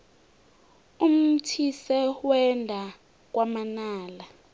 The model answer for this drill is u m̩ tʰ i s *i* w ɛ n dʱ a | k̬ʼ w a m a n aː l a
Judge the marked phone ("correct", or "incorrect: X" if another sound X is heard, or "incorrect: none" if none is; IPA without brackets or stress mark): incorrect: ɛ